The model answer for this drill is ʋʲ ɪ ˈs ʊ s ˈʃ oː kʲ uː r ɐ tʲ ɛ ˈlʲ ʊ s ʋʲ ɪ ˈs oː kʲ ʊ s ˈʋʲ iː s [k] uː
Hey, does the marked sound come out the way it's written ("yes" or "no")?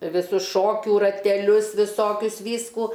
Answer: yes